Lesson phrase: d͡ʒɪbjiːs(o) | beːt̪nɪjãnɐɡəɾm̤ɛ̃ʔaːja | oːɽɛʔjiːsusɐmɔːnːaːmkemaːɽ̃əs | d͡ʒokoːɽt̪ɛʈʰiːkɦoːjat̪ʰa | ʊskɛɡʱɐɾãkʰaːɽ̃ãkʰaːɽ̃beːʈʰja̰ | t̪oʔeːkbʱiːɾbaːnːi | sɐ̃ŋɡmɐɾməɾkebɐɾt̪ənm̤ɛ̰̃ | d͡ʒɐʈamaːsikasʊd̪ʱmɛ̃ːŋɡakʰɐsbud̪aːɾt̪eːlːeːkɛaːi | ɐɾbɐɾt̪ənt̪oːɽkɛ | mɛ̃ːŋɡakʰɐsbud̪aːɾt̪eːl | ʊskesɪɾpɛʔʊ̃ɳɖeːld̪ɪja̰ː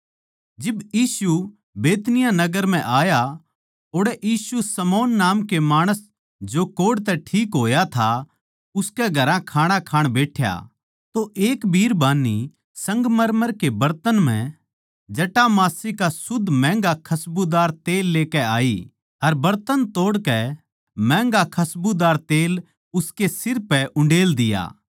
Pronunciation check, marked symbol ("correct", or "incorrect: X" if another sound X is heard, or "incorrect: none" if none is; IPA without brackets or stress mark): incorrect: u